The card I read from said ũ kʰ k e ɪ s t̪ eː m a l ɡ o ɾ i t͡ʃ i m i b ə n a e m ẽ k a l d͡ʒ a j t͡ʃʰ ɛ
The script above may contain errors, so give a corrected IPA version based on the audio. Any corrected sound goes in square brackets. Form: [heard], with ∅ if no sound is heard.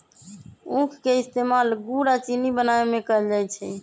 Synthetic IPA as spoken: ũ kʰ k e ɪ s t̪ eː m a l ɡ [u] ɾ [a] t͡ʃ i [n] i b ə n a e m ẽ k [ə] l d͡ʒ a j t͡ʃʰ ɛ